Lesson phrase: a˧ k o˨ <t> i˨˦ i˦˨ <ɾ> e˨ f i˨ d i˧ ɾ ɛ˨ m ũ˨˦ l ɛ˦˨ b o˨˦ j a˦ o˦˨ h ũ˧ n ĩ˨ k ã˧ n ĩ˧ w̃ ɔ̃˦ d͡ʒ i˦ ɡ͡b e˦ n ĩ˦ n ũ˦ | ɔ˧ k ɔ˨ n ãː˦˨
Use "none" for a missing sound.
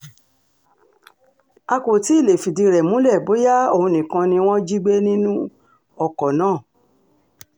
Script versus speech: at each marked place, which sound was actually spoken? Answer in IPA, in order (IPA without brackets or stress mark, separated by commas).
t, l